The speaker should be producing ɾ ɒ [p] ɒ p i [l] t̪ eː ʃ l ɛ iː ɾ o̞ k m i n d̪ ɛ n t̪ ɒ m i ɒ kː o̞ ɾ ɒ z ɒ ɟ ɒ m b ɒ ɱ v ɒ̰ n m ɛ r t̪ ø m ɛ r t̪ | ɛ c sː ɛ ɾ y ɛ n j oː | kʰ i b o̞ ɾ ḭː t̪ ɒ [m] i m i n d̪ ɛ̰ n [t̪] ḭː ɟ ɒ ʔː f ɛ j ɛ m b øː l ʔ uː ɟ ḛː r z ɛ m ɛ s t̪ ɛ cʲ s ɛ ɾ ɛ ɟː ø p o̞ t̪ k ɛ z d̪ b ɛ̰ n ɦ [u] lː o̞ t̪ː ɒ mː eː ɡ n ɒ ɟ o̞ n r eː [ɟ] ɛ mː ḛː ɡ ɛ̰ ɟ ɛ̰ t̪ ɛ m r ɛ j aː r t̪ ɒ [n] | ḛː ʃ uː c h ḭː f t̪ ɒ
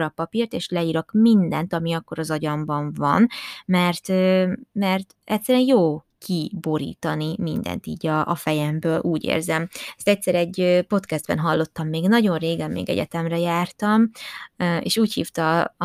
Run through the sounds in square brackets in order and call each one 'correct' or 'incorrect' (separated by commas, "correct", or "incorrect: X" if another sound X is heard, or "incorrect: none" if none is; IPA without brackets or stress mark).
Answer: correct, incorrect: r, incorrect: n, correct, incorrect: ɒ, incorrect: ɡ, incorrect: m